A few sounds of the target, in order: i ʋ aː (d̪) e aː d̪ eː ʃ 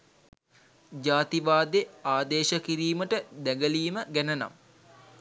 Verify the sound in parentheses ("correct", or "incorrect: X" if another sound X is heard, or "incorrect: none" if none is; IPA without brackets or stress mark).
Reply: correct